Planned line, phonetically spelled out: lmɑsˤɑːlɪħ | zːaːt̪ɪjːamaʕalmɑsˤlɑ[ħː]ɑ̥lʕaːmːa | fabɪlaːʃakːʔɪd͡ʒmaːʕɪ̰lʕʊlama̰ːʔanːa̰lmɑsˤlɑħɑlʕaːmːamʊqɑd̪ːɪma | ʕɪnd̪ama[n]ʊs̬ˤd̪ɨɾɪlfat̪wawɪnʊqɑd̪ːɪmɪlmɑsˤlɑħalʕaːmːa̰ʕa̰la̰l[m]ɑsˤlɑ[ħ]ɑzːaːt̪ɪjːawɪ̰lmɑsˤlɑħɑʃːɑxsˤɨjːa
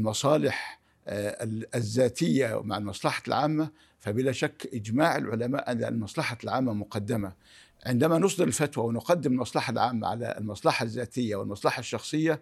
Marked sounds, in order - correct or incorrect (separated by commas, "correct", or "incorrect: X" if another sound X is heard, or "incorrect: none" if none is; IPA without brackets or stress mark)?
incorrect: ħ, correct, correct, correct